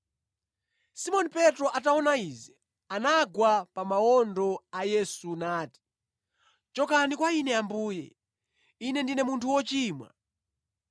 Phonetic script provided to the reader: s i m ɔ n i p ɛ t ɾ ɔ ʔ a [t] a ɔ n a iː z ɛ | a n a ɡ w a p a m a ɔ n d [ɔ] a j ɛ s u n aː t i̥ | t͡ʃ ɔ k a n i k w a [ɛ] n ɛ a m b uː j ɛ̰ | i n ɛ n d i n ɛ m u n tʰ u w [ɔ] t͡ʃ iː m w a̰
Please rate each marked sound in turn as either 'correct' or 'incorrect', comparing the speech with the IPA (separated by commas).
correct, correct, incorrect, correct